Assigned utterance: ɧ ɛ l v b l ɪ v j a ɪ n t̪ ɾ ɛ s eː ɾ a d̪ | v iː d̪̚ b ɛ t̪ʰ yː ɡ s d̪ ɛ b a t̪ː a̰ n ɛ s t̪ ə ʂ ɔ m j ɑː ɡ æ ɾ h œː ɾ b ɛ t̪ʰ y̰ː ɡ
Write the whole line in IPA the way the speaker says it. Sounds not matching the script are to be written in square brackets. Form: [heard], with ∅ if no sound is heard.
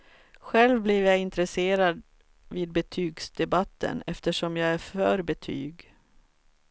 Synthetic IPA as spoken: ɧ ɛ l v b l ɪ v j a ɪ n t̪ ɾ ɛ s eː ɾ a d̪ | v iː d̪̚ b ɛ t̪ʰ yː ɡ s d̪ ɛ b a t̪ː [ə̰] n ɛ [f] t̪ ə ʂ ɔ m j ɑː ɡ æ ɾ [f] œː ɾ b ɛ t̪ʰ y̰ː ɡ